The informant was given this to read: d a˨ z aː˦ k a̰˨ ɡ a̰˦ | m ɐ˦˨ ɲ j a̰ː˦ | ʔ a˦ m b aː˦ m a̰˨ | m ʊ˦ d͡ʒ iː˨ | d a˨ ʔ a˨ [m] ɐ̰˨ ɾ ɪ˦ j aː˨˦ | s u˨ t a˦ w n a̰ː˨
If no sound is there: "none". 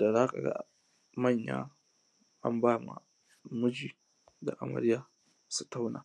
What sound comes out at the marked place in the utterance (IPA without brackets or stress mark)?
m